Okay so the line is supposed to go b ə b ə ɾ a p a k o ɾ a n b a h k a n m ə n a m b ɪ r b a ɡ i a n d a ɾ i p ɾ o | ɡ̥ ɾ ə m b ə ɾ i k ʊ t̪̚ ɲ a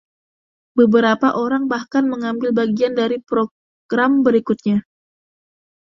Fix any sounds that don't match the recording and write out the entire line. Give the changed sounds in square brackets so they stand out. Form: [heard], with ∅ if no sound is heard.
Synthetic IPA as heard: b ə b ə ɾ a p a [ʔ] o ɾ a [ŋ] b a h k a n m ə [ŋ] a m b ɪ [l] b a ɡ i a n d a ɾ i p ɾ o | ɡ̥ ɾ [a] m b ə ɾ i k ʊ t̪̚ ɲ a